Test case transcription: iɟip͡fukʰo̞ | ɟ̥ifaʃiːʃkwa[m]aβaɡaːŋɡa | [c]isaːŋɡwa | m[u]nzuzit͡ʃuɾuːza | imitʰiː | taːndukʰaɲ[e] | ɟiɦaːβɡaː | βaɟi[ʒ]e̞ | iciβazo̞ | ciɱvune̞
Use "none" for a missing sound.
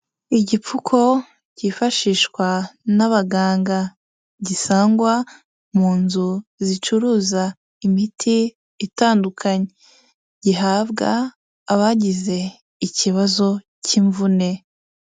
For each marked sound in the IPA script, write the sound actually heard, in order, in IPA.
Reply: n, ɟ, uː, e, z

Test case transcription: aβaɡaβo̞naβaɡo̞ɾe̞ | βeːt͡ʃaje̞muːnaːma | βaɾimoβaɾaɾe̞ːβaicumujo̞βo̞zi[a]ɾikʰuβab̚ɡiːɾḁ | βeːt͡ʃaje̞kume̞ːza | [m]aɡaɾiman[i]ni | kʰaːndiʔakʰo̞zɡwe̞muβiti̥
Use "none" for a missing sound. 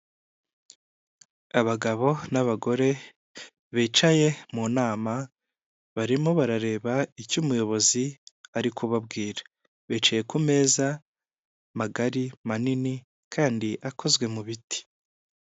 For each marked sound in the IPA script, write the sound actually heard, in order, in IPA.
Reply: a, m, i

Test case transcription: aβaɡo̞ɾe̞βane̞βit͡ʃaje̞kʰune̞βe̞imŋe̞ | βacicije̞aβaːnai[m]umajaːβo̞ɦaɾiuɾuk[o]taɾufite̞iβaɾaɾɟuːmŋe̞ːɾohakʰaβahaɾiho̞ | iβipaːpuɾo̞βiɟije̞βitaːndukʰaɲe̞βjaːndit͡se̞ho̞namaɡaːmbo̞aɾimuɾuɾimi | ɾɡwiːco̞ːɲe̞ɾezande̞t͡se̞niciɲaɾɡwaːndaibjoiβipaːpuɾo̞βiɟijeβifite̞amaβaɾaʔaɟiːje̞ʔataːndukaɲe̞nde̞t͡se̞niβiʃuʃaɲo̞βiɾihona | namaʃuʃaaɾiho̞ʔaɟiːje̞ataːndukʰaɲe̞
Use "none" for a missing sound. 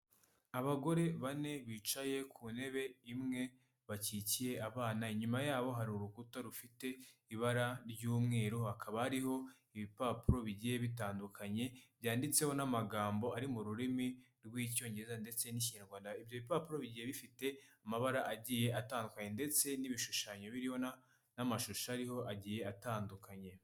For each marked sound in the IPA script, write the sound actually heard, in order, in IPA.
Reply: ɲ, u

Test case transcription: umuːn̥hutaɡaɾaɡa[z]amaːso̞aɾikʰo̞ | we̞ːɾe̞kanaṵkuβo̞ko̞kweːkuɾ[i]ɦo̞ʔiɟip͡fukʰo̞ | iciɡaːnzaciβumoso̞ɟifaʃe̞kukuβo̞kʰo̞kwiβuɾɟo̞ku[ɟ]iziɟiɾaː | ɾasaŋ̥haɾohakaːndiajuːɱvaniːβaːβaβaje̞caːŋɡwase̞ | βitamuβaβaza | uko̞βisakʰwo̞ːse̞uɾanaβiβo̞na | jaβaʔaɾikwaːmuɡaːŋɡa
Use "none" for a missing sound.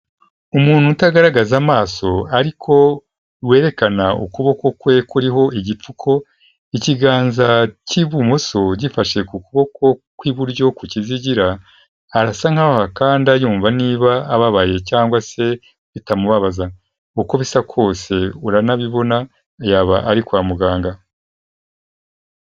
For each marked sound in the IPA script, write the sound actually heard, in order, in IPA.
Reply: z, i, c

